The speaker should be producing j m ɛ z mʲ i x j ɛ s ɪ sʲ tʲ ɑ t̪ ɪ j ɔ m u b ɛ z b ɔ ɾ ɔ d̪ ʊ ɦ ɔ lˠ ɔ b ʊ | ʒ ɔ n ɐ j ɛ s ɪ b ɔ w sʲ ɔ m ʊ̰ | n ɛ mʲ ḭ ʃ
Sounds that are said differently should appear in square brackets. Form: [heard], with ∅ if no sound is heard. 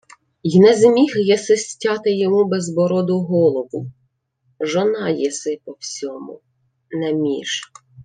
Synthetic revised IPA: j [n] ɛ z mʲ i x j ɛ s ɪ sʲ tʲ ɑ t̪ ɪ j ɔ m u b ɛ z b ɔ ɾ ɔ d̪ ʊ ɦ ɔ lˠ ɔ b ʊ | ʒ ɔ n [ɑ] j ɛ s ɪ [p] ɔ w sʲ ɔ m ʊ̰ | n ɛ mʲ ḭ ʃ